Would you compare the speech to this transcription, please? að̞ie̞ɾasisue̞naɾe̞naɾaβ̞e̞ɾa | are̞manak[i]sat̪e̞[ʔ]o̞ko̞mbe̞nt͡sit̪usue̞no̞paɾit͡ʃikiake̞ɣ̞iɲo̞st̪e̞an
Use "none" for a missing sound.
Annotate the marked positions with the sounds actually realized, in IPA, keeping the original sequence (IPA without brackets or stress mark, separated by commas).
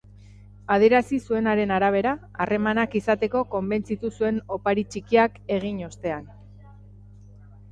i, k